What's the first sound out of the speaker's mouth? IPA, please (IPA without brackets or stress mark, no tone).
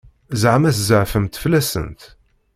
z